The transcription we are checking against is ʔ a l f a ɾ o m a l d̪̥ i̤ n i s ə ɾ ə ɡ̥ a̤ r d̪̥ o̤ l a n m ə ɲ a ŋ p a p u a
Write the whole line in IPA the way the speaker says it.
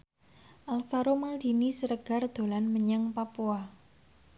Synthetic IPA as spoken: ʔ a l f a ɾ o m a l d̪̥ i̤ n i s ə ɾ ə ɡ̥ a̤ r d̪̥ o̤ l a n m ə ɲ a ŋ p a p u a